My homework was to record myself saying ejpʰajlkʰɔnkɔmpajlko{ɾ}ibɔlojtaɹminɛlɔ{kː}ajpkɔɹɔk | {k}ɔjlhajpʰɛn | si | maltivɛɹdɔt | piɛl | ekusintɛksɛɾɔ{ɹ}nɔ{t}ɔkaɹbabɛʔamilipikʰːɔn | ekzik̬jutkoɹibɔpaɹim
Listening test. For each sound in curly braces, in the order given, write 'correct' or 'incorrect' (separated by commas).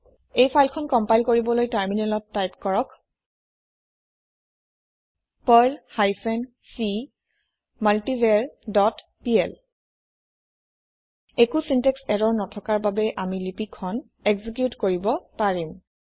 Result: incorrect, incorrect, incorrect, correct, incorrect